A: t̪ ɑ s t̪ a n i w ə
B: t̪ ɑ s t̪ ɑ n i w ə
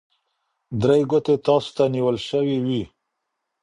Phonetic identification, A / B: A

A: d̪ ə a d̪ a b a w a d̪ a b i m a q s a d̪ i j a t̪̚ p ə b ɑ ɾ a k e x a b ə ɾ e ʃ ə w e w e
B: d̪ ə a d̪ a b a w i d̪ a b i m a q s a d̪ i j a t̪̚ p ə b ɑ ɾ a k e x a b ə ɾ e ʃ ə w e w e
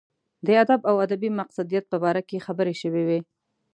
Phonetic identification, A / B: A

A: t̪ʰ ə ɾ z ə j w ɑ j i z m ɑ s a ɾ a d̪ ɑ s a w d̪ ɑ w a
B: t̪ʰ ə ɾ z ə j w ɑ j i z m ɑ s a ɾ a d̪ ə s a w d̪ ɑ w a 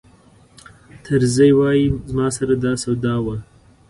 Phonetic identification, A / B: A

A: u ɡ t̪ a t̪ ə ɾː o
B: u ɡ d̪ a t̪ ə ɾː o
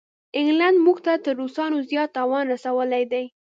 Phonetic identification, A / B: A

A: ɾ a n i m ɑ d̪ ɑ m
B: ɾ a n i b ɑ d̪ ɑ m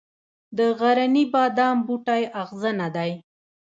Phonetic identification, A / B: B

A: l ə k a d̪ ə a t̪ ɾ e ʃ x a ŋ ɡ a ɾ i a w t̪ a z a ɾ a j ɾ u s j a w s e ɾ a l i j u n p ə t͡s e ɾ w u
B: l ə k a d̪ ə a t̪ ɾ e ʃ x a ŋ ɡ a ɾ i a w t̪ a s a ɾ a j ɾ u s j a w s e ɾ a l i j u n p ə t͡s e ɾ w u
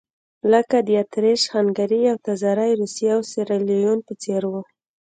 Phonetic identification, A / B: A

